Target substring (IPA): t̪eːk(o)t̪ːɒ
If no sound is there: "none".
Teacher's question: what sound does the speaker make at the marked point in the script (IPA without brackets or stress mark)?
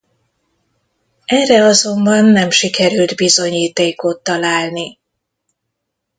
o